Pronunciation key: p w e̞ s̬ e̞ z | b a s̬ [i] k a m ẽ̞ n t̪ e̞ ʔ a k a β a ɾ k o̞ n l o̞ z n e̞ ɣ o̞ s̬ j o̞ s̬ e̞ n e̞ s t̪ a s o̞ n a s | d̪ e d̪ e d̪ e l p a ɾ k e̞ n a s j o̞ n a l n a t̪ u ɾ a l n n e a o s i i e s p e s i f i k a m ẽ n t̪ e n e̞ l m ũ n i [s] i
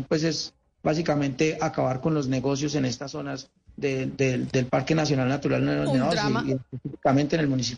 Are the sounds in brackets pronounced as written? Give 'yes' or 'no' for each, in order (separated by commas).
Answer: yes, yes